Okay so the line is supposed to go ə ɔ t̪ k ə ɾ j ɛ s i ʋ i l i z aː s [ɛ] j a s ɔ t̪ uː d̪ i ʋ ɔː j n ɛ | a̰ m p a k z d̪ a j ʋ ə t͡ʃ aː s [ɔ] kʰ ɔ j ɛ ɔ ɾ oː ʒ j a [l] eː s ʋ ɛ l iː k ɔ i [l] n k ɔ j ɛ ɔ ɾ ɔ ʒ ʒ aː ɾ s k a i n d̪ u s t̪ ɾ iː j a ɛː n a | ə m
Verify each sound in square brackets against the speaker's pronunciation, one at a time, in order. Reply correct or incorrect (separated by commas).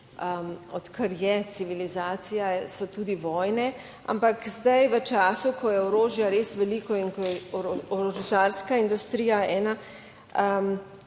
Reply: incorrect, incorrect, incorrect, incorrect